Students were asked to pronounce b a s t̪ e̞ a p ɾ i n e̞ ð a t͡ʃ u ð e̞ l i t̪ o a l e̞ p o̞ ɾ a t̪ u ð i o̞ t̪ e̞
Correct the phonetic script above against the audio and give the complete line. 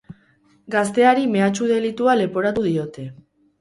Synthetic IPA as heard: ɡ a s t̪ e̞ a ɾ i m e̞ a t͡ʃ u ð e̞ l i t̪ u a l e̞ p o̞ ɾ a t̪ u ð i o̞ t̪ e̞